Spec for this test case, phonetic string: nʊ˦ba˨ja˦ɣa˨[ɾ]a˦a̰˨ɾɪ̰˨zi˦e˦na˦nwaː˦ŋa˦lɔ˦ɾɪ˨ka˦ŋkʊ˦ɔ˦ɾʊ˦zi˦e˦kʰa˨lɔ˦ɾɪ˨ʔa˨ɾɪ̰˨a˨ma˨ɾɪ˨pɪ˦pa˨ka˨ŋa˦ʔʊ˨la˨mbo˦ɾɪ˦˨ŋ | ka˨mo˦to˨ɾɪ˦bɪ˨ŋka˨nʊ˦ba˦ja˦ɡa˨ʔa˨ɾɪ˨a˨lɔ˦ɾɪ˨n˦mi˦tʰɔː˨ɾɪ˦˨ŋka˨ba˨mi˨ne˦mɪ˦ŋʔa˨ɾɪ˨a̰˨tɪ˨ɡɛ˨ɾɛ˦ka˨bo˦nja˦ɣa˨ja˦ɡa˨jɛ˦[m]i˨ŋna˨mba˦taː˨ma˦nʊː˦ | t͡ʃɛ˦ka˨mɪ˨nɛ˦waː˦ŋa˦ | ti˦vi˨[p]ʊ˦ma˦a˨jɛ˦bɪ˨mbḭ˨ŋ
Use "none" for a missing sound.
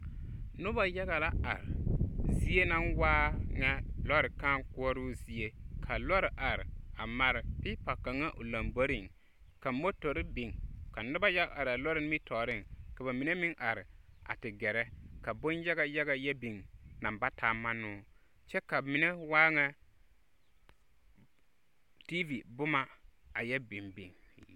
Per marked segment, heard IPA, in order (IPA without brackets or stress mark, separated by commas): l, b, b